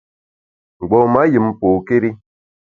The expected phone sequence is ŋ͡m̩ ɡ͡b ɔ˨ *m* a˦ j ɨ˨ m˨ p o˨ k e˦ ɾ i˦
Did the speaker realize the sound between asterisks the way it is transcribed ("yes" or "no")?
yes